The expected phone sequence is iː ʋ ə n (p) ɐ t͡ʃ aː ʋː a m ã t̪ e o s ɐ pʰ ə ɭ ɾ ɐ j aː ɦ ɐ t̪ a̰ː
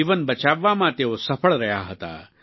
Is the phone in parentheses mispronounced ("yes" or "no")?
yes